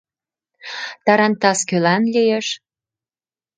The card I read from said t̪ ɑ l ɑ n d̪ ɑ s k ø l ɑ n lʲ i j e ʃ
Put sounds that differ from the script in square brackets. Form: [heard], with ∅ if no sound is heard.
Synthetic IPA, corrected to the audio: t̪ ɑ [ɾ] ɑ n [t̪] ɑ s k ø l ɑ n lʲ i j e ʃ